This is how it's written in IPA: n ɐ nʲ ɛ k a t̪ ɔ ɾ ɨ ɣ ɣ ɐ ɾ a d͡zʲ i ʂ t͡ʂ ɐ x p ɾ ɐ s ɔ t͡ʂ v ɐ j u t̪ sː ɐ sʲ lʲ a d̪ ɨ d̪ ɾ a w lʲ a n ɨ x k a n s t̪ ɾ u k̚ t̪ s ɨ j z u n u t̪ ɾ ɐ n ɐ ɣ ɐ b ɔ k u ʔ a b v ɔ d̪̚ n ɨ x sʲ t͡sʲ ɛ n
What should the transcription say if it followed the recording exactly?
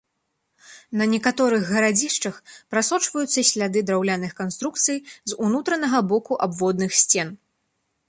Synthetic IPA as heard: n ɐ nʲ ɛ k a t̪ ɔ ɾ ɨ ɣ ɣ ɐ ɾ a d͡zʲ i ʂ t͡ʂ ɐ x p ɾ a s ɔ t͡ʂ v ɐ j u t̪ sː ɐ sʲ lʲ a d̪ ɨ d̪ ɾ a w lʲ a n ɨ x k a n s t̪ ɾ u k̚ t̪ s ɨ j z u n u t̪ ɾ ɐ n ɐ ɣ ɐ b ɔ k u ʔ a b v ɔ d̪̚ n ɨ x sʲ t͡sʲ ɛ n